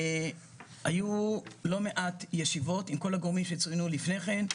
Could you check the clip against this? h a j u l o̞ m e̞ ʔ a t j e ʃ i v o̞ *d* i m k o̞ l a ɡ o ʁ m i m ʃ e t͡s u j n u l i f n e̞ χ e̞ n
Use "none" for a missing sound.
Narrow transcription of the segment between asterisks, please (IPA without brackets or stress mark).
t